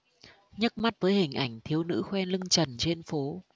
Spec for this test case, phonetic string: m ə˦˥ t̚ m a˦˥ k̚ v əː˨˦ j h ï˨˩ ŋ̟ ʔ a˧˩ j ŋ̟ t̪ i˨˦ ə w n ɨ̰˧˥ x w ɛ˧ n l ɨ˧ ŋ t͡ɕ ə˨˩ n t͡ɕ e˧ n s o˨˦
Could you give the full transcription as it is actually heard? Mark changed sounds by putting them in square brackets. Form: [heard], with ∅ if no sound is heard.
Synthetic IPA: [ɲ] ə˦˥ t̚ m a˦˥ [t̚] v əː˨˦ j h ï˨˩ ŋ̟ ʔ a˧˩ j ŋ̟ [t̪ʰ] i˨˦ ə w n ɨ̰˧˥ x w ɛ˧ n l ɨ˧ ŋ t͡ɕ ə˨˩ n t͡ɕ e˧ n [f] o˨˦